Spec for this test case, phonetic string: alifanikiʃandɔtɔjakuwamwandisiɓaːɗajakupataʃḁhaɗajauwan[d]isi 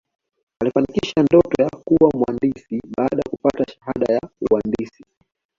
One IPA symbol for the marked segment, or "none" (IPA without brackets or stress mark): d